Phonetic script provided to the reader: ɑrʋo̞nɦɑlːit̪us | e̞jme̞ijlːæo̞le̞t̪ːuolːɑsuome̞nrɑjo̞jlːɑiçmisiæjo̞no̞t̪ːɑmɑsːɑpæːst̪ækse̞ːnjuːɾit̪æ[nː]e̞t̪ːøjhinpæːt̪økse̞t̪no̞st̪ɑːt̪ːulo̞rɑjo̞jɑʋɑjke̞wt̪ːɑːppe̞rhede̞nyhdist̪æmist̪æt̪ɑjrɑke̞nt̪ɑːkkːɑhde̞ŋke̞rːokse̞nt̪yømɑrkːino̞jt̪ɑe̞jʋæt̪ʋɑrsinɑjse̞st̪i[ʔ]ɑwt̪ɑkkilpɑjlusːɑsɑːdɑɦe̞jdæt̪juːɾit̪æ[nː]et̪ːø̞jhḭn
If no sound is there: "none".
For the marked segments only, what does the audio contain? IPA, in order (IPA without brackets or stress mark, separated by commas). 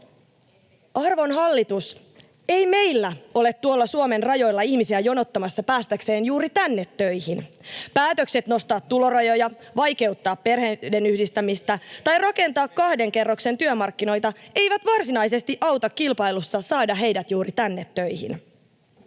nː, ʔ, nː